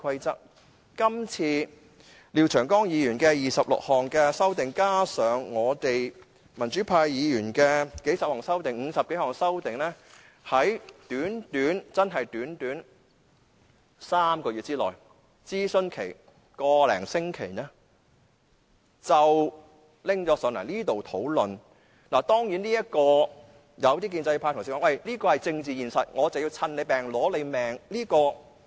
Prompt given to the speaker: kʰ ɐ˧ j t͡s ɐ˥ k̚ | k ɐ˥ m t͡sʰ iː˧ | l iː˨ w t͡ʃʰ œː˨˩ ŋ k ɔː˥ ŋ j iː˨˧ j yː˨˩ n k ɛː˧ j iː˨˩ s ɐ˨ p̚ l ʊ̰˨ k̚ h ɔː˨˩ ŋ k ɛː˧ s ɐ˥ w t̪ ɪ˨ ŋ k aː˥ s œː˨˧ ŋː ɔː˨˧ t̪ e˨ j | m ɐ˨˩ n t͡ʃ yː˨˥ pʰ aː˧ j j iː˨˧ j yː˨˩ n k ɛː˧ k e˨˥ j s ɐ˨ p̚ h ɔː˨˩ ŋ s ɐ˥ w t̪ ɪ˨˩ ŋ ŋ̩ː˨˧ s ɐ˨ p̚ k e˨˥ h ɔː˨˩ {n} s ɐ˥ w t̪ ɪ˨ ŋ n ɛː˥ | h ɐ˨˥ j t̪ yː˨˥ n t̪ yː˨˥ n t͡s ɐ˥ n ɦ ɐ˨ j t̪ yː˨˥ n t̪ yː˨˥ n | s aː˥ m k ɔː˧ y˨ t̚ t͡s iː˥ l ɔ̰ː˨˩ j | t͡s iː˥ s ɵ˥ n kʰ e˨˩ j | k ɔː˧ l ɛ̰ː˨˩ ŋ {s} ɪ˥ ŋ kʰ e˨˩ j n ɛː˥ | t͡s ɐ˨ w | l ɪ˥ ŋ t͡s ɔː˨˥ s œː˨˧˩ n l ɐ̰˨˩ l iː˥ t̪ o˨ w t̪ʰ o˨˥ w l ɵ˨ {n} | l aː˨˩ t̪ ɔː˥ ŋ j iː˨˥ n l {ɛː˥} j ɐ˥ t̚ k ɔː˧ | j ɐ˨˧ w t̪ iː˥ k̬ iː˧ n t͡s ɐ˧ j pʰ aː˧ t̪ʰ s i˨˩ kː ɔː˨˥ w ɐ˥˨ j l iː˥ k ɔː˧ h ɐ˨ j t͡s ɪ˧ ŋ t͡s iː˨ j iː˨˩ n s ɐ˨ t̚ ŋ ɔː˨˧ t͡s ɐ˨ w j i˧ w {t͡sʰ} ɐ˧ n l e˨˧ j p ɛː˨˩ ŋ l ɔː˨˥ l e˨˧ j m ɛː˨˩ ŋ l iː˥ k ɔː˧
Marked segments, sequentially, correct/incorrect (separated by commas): incorrect, correct, correct, incorrect, correct